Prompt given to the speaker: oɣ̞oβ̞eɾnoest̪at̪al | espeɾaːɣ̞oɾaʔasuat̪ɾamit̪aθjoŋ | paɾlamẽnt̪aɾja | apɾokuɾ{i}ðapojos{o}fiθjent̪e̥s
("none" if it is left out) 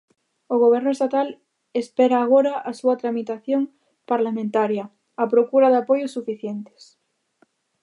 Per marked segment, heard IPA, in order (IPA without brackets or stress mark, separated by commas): a, u